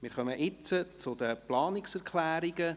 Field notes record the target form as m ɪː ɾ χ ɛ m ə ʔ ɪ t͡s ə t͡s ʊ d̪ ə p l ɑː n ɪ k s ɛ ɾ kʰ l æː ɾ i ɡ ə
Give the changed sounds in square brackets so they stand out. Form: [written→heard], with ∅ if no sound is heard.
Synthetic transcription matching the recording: m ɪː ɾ χ [ɛ→œ] m ə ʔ ɪ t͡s ə t͡s ʊ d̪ ə p l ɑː n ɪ k s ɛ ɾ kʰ l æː ɾ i ɡ ə